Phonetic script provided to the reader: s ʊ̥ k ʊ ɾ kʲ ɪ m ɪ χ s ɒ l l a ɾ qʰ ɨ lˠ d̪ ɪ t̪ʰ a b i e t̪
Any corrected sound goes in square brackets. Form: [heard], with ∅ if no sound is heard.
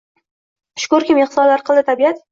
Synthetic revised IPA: [ʃ] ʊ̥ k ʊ ɾ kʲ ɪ m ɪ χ s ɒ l l a ɾ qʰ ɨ lˠ d̪ ɪ t̪ʰ a b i [a] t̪